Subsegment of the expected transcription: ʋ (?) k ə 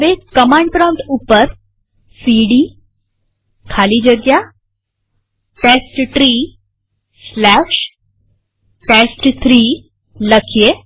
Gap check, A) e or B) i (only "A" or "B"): A